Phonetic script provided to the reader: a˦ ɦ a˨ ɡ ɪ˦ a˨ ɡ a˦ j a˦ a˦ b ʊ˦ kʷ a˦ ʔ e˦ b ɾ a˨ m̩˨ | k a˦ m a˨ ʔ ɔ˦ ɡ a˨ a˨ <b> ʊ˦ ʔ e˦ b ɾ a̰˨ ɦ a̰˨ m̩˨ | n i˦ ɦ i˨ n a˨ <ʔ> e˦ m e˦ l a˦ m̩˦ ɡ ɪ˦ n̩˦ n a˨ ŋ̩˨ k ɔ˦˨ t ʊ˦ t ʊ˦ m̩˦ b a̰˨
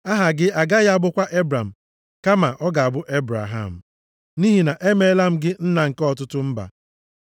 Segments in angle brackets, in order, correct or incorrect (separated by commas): correct, correct